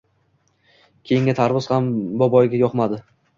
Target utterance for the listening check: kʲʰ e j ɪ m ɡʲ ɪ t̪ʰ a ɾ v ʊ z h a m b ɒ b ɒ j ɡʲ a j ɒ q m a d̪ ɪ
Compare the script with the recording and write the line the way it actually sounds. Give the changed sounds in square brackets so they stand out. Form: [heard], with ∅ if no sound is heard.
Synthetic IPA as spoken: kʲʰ e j ɪ [ŋ] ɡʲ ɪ t̪ʰ a ɾ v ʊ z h a m b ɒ b ɒ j ɡʲ a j ɒ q m a d̪ ɪ